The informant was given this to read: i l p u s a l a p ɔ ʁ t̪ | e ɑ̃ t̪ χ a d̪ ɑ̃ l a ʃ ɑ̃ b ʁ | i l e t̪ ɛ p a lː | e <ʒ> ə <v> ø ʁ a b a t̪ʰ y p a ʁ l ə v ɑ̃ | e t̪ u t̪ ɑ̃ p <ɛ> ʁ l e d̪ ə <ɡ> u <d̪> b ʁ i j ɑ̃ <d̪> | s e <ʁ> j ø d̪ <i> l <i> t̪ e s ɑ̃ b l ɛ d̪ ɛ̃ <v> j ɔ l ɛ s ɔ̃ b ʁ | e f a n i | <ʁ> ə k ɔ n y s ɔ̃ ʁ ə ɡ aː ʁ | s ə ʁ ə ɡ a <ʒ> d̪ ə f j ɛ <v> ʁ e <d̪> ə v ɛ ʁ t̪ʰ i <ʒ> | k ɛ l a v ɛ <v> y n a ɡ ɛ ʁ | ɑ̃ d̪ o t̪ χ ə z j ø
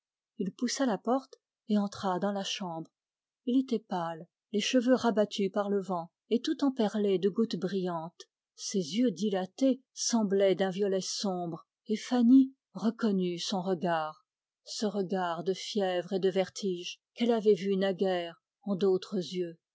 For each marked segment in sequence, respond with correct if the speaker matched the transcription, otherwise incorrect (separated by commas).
incorrect, correct, correct, correct, incorrect, incorrect, incorrect, correct, incorrect, correct, correct, incorrect, correct, correct, correct, correct